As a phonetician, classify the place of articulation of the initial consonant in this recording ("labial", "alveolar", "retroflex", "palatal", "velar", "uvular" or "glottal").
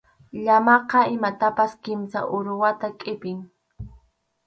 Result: palatal